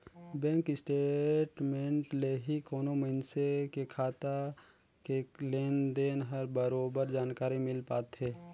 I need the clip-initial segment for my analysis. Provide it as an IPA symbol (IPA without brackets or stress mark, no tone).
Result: b